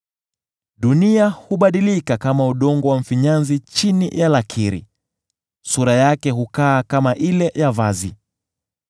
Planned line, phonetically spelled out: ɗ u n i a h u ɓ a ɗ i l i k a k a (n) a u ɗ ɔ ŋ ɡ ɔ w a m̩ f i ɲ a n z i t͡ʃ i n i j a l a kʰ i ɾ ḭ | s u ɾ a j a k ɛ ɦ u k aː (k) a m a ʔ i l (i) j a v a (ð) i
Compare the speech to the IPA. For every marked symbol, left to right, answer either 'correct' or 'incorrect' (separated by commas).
incorrect, correct, incorrect, incorrect